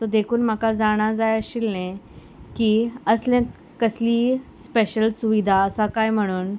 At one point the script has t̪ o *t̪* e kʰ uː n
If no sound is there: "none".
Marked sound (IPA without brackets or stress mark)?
d̪